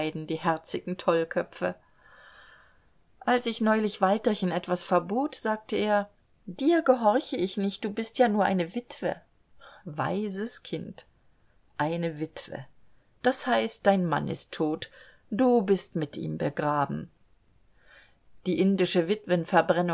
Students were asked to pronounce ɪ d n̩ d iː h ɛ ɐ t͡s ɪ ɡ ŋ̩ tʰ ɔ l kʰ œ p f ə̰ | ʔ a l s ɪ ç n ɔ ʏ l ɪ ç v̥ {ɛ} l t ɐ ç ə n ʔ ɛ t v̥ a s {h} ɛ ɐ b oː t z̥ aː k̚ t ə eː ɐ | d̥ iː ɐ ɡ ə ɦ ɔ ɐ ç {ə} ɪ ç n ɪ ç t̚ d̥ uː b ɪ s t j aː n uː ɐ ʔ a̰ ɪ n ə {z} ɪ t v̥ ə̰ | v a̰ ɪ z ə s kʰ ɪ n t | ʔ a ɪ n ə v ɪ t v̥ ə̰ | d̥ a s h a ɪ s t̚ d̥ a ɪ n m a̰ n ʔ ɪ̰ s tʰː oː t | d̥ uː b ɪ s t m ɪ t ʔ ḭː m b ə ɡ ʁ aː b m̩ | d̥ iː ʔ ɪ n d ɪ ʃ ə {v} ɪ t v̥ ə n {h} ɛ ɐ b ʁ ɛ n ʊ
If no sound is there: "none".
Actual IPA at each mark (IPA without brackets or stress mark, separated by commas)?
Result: a, f, ə, v, v, f